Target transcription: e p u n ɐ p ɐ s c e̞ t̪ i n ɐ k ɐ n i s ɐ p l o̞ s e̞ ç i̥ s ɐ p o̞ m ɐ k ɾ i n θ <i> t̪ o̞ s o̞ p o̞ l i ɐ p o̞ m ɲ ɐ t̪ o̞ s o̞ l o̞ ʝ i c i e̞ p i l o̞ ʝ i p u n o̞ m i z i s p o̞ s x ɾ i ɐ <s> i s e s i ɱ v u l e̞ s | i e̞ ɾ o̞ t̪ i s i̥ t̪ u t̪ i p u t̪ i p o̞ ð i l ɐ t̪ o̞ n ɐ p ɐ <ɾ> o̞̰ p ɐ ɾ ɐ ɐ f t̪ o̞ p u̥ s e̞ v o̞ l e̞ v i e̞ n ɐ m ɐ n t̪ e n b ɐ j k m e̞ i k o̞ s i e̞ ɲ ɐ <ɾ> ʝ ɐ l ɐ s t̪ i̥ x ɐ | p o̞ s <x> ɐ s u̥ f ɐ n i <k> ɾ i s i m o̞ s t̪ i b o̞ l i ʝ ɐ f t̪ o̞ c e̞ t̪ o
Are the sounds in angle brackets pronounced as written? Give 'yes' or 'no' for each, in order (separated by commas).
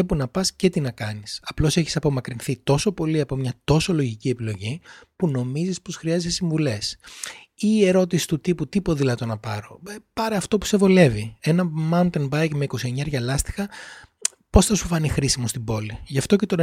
yes, no, yes, yes, no, no